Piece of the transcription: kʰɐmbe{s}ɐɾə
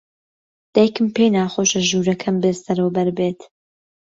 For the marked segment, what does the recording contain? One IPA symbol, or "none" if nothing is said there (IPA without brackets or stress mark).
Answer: s